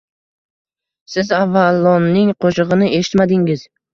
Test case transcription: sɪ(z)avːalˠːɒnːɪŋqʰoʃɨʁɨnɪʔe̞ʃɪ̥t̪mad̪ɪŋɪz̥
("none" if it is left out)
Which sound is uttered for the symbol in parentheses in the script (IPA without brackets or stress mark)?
z